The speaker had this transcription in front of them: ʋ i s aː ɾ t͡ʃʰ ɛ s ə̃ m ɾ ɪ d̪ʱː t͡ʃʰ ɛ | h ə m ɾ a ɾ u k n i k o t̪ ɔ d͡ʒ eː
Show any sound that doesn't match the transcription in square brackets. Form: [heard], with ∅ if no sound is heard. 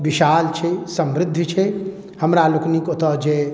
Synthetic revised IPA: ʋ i [ʃ] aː [l] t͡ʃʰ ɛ s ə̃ m ɾ ɪ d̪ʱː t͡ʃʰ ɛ | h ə m ɾ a [l] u k n i k o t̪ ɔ d͡ʒ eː